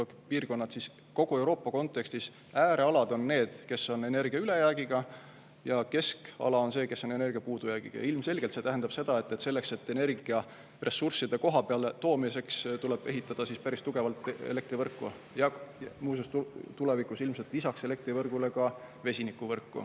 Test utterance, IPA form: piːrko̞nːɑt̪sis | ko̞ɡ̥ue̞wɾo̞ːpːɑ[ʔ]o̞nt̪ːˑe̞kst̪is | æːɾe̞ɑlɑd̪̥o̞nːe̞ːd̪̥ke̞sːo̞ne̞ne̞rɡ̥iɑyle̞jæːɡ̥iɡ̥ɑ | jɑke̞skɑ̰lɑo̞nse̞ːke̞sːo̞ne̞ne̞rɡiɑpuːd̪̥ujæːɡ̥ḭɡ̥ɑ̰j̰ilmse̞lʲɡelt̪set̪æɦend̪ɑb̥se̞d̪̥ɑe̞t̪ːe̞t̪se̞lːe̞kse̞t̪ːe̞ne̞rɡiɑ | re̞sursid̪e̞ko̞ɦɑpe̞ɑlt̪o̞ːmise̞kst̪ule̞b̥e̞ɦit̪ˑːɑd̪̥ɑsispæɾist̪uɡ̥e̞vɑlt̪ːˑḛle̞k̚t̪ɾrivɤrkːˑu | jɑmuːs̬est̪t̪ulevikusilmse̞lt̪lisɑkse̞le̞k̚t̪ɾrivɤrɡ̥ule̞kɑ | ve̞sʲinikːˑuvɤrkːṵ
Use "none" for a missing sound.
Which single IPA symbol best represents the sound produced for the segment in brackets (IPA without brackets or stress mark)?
k